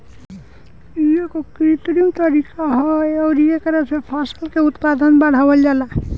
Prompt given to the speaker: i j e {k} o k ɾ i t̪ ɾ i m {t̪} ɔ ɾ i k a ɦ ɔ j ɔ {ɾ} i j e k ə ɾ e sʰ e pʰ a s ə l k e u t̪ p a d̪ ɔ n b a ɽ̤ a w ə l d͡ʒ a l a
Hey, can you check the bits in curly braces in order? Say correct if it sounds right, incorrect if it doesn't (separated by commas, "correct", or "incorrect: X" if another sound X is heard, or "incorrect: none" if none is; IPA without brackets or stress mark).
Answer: correct, correct, correct